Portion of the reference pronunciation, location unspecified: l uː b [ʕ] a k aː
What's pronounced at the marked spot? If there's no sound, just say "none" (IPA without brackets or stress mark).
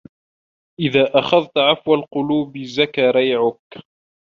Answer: z